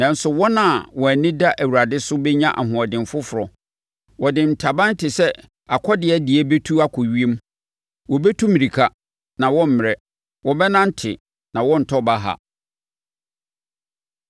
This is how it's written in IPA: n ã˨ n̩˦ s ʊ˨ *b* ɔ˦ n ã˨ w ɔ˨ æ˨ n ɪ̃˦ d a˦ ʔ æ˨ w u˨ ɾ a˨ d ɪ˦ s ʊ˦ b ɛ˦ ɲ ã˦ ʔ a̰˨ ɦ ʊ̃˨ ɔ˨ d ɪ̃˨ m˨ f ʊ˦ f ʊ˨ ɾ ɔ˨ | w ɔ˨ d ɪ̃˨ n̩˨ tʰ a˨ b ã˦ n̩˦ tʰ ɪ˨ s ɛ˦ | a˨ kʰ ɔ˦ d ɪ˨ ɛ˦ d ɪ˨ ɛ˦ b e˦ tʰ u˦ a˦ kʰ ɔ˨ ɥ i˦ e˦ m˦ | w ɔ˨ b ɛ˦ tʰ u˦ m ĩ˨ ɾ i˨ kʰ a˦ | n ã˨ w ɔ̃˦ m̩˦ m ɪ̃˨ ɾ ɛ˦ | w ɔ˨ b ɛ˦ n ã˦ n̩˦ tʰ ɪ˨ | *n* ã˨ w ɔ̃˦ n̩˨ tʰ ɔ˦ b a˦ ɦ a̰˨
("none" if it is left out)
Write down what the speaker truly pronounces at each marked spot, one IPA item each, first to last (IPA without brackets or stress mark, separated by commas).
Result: w, n